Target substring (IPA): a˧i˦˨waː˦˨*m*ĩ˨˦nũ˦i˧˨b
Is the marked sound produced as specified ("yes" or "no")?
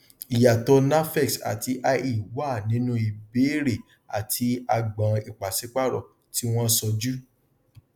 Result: no